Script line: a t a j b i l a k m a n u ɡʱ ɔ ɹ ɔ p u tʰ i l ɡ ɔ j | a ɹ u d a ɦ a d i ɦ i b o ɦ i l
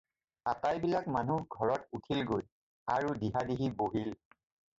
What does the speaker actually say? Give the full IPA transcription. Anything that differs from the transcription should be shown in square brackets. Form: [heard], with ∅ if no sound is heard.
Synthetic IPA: a t a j b i l a k m a n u ɡʱ ɔ ɹ ɔ [t] u tʰ i l ɡ [o] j | a ɹ u d [i] ɦ a d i ɦ i b o ɦ i l